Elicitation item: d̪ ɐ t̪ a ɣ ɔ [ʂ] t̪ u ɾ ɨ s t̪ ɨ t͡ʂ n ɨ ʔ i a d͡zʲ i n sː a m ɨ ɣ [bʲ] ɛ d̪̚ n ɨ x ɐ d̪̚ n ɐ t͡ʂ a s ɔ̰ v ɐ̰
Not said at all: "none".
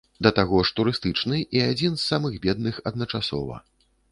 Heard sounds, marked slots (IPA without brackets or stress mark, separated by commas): ʂ, bʲ